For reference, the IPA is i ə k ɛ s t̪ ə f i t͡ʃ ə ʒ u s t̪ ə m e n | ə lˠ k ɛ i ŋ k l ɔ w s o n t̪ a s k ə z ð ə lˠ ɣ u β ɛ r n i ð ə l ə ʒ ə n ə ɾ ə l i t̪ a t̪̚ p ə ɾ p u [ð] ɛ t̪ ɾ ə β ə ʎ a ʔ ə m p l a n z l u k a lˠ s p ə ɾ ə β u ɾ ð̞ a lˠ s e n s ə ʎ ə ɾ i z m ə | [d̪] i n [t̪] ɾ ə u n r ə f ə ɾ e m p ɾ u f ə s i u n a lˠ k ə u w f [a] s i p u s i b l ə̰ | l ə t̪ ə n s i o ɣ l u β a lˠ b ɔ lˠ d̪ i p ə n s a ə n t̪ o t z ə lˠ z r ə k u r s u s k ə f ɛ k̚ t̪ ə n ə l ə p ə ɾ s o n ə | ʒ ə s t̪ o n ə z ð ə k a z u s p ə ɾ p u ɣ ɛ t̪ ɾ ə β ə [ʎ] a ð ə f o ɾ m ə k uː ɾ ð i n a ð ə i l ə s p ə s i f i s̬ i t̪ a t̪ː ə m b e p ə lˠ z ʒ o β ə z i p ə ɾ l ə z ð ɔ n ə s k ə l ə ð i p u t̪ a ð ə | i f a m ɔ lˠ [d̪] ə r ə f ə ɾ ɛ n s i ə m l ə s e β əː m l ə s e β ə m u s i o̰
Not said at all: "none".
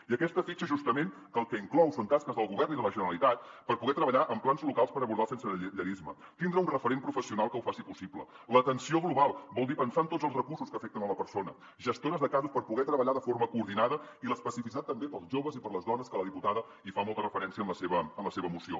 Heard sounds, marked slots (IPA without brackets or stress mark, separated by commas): ɣ, t̪, d̪, a, ʎ, t̪